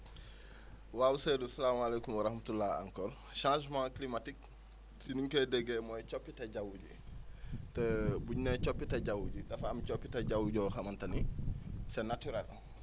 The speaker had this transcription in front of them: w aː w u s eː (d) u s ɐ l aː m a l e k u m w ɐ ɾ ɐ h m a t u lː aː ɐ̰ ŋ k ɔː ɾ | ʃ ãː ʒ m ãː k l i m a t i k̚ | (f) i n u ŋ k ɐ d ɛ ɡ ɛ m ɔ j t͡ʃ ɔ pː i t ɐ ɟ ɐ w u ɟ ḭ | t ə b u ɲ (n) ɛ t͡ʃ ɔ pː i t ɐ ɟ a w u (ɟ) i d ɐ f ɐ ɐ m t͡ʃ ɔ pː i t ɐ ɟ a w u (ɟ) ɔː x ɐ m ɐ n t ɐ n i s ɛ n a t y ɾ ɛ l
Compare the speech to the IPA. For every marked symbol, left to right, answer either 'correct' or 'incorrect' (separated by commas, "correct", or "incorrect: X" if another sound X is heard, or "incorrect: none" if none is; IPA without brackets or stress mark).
correct, incorrect: s, correct, correct, correct